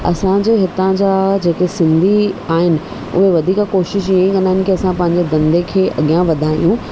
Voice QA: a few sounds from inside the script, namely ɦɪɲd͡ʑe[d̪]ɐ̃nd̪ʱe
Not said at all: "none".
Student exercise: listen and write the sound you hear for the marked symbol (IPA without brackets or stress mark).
d̪